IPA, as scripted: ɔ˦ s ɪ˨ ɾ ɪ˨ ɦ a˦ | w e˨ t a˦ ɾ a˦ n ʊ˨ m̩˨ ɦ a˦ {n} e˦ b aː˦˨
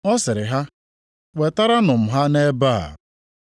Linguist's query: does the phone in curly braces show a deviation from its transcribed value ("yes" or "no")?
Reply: no